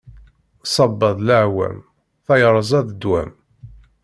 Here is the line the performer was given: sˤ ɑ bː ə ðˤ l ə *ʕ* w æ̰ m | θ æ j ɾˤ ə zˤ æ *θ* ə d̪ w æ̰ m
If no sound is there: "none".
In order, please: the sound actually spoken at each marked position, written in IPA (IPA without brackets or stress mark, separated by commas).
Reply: ʕ, ð